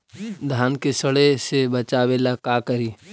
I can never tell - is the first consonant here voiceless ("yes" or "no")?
no